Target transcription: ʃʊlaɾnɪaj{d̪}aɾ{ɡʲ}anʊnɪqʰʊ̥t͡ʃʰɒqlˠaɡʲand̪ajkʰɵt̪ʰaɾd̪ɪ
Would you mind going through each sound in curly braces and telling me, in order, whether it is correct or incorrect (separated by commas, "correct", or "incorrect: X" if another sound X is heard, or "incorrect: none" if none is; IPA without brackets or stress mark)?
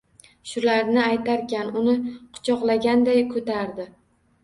incorrect: t̪, incorrect: kʲ